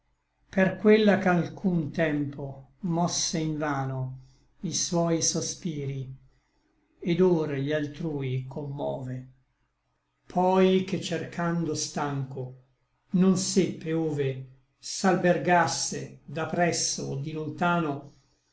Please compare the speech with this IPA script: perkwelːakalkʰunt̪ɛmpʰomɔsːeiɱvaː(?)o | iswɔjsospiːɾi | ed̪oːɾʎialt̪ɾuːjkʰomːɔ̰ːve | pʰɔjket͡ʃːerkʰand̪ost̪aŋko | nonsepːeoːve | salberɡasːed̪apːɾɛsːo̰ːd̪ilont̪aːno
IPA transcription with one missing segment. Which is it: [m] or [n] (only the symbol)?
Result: n